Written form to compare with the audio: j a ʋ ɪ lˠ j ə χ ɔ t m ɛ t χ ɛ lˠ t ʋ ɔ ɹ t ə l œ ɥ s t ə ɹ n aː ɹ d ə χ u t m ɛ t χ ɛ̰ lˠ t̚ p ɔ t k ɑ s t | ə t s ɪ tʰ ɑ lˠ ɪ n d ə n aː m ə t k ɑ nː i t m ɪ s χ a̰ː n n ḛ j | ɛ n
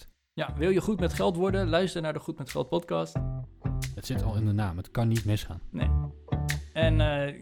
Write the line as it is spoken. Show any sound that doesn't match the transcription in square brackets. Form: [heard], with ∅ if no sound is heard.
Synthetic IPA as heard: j a ʋ ɪ lˠ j ə χ [u] t m ɛ t χ ɛ lˠ t ʋ ɔ ɹ [d] ə l œ ɥ s t ə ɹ n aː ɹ d ə χ u t m ɛ t χ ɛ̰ lˠ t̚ p ɔ t k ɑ s t | ə t s ɪ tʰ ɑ lˠ ɪ n d ə n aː m ə t k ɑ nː i t m ɪ s χ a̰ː n n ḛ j | ɛ n